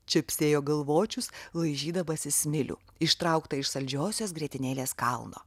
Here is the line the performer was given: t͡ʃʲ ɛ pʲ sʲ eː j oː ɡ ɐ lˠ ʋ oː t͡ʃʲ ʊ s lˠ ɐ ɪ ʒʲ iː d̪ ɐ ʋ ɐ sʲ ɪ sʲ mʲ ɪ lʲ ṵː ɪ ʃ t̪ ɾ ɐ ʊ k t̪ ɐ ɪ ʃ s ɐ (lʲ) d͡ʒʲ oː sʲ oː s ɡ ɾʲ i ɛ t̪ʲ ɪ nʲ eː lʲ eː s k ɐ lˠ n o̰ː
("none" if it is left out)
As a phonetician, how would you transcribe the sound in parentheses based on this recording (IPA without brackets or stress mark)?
lʲ